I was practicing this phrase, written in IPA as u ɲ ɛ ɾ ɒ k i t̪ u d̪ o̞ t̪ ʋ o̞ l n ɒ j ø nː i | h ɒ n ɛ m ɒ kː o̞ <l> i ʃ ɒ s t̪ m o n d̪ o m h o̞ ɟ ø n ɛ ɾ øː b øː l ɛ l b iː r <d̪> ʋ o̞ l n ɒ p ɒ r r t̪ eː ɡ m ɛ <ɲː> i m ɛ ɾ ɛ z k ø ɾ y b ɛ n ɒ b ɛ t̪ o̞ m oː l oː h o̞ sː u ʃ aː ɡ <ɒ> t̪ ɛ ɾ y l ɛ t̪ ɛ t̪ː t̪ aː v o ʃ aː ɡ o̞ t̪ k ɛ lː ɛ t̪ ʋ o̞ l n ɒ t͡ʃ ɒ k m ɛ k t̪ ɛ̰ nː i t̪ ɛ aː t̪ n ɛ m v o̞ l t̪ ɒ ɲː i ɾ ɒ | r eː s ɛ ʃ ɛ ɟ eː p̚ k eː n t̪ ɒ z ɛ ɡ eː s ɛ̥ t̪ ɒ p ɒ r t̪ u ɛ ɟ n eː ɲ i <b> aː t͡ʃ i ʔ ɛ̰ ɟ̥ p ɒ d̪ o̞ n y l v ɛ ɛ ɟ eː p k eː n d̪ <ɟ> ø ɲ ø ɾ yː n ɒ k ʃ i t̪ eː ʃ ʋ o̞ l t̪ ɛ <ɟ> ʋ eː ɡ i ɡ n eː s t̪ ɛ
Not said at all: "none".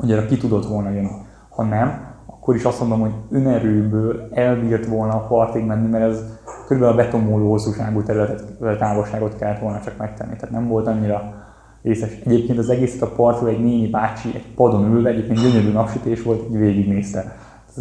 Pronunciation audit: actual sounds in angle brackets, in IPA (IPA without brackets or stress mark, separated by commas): ɾ, t̪, nː, u, b, ɟ, ɟ